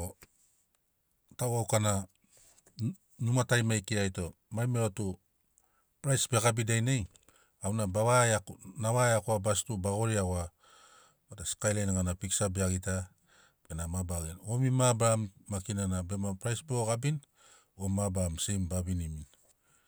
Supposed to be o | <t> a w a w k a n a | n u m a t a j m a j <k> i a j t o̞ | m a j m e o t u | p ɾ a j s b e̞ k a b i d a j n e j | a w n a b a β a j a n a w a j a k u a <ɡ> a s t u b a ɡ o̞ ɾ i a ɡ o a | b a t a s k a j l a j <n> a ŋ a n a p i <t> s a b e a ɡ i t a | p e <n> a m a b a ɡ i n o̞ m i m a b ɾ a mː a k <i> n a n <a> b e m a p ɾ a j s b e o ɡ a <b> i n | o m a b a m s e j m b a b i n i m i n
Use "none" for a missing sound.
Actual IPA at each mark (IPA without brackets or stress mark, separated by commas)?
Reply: t, k, b, n, k, n, i, a, b